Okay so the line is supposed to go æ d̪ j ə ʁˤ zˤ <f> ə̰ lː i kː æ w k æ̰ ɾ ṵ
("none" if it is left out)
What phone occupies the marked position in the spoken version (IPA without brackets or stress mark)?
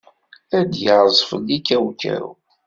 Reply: f